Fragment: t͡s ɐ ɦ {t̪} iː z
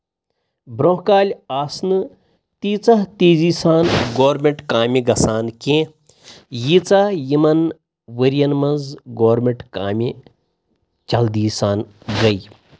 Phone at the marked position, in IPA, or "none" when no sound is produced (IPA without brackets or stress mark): t̪